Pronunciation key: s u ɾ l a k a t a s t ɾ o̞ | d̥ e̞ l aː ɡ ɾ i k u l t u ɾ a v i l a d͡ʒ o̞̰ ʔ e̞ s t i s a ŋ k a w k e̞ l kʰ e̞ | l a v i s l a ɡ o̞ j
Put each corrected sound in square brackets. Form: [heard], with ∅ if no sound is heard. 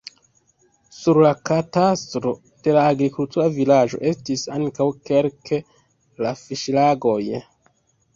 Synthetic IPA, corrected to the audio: s u ɾ l a k a t a s t ɾ o̞ | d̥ e̞ l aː ɡ ɾ i k u l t u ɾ a v i l a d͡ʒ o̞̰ ʔ e̞ s t i s a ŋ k a w k e̞ l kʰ e̞ | l a [f] i [ʃ] l a ɡ o̞ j